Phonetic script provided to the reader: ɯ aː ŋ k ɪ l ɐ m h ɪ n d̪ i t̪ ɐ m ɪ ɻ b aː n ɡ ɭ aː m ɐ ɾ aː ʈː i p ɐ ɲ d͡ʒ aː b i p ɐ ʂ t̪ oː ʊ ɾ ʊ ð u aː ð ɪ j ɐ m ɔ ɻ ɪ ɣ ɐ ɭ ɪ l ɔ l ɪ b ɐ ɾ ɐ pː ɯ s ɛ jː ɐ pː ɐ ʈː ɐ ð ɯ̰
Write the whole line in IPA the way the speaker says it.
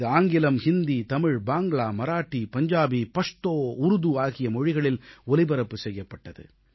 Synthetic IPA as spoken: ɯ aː ŋ ɡ ɪ l ɐ m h ɪ n d̪ i t̪ ɐ m ɪ ɻ b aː ŋ ɡ ɭ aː m ɐ ɾ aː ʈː i p ɐ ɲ d͡ʒ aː b i p ɐ ʂ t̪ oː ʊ ɾ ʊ ð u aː ɣ ɪ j ɐ m ɔ ɻ ɪ ɣ ɐ ɭ ɪ l ɔ l ɪ b ɐ ɾ ɐ pː ɯ s ɛ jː ɐ pː ɐ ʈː ɐ ð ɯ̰